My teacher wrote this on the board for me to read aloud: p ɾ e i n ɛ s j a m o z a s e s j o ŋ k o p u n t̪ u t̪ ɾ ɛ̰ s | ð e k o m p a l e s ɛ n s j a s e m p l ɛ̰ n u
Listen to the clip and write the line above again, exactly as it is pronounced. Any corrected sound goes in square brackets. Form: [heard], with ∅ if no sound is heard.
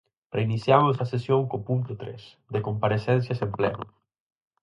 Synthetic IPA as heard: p ɾ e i n [i] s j a m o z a s e s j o ŋ k o p u n t̪ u t̪ ɾ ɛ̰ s | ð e k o m p a [ɾ] e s ɛ n s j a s e m p l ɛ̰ n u